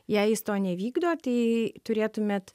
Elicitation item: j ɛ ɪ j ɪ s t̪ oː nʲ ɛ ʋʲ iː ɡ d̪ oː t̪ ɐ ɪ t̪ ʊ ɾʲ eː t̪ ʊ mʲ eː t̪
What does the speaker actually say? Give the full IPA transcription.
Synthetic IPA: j ɛ ɪ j ɪ s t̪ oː nʲ ɛ ʋʲ iː ɡ d̪ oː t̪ ɐ ɪ t̪ ʊ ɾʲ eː t̪ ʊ mʲ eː t̪